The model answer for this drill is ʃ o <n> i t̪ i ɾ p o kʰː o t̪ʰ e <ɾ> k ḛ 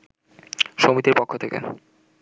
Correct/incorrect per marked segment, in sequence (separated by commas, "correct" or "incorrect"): incorrect, incorrect